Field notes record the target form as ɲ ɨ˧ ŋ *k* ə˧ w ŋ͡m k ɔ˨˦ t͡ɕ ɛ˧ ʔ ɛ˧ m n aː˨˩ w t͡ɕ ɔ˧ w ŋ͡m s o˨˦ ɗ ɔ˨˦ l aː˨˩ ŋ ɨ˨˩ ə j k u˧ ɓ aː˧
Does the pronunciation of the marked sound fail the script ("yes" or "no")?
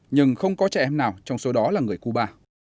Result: yes